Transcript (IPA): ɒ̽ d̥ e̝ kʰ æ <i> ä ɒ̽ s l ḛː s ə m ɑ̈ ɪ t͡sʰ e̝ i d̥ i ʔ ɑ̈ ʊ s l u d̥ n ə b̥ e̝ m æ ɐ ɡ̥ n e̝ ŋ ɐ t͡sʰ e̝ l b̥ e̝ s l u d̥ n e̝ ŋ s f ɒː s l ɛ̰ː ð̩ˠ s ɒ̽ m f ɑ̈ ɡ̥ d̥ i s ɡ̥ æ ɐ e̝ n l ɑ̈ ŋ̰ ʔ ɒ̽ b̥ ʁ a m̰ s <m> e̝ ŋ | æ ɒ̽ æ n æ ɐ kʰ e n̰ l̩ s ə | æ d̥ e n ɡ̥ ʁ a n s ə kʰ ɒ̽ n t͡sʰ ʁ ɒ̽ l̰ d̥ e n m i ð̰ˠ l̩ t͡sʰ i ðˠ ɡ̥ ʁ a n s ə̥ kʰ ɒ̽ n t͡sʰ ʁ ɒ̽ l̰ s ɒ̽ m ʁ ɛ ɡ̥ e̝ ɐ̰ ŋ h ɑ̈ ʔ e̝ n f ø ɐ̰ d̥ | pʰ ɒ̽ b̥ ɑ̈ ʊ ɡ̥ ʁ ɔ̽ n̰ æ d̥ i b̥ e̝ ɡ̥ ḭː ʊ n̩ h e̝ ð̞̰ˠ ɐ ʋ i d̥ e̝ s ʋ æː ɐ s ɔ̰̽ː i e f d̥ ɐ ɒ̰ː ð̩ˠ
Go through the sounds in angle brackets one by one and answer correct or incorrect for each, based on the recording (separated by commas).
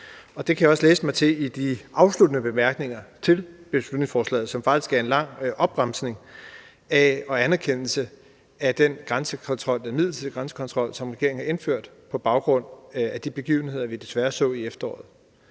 incorrect, incorrect